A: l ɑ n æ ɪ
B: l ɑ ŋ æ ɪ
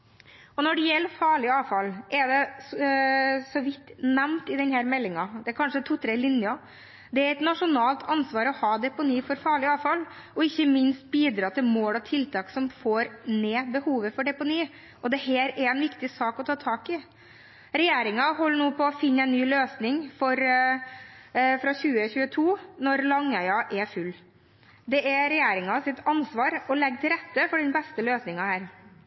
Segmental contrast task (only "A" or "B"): B